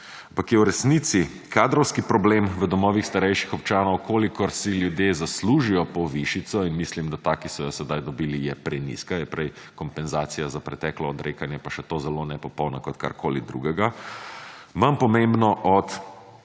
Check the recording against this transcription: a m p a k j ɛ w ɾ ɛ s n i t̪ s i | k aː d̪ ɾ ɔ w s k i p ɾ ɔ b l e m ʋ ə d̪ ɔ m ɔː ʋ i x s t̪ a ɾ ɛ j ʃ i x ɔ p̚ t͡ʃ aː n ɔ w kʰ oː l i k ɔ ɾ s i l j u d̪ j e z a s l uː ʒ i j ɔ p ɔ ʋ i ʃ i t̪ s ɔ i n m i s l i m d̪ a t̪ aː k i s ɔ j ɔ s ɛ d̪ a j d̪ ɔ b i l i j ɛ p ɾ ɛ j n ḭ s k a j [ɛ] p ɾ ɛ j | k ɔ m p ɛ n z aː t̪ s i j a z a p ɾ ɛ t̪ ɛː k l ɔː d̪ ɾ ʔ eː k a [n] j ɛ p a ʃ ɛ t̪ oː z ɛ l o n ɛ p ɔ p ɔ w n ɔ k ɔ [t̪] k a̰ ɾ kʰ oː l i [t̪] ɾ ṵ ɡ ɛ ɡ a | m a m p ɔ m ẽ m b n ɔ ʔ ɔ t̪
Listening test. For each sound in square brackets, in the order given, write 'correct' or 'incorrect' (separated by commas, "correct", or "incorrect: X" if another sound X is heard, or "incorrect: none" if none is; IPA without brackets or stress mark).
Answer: correct, correct, correct, incorrect: d̪